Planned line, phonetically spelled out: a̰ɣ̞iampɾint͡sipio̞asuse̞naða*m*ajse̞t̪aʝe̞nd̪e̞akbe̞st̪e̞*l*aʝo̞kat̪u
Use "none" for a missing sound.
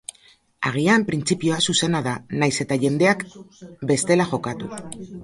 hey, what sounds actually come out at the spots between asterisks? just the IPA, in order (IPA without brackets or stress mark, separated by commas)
n, l